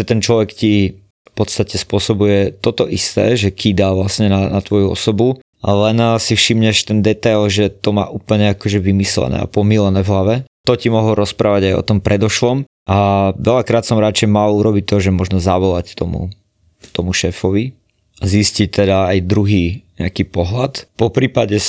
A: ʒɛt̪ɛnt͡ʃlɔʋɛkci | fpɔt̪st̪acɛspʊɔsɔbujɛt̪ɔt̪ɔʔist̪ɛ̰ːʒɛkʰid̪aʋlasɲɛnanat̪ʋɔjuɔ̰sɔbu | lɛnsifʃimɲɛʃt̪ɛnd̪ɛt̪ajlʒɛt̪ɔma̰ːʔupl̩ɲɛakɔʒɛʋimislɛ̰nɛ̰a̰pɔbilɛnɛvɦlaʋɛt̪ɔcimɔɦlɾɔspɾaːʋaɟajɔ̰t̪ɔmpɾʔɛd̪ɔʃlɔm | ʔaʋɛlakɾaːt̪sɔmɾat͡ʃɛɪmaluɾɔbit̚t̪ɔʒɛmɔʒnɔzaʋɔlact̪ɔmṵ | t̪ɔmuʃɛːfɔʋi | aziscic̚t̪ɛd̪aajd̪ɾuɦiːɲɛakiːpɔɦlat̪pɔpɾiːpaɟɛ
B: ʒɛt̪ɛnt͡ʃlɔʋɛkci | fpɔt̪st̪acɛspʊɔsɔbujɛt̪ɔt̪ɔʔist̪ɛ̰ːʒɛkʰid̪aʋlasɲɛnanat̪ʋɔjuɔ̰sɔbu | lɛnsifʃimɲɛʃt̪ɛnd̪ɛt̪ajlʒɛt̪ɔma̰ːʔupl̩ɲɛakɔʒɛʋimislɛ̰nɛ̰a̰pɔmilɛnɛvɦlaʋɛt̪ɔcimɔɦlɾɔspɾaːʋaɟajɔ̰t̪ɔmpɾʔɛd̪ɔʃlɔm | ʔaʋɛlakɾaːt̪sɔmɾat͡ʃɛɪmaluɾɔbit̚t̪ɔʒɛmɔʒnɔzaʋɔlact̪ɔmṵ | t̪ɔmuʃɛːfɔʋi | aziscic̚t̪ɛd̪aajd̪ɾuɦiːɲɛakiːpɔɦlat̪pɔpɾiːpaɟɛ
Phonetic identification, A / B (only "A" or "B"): B